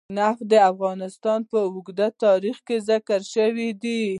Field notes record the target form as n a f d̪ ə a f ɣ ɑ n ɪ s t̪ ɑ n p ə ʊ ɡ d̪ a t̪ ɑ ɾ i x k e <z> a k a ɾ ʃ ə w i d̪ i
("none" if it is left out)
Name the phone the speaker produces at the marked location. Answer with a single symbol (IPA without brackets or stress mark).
z